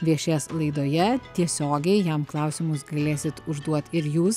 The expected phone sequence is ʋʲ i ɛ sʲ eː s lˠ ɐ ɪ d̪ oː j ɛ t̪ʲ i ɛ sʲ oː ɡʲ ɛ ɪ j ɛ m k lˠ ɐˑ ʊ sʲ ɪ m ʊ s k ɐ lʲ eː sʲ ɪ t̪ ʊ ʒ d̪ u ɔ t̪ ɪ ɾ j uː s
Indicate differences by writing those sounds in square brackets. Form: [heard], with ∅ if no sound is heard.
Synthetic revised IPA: ʋʲ i ɛ [ʃʲ] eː s lˠ ɐ ɪ d̪ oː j ɛ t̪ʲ i ɛ sʲ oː ɡʲ ɛ ɪ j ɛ m k lˠ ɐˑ ʊ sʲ ɪ m ʊ s [ɡ] ɐ lʲ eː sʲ ɪ t̪ ʊ ʒ d̪ u ɔ t̪ ɪ ɾ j uː s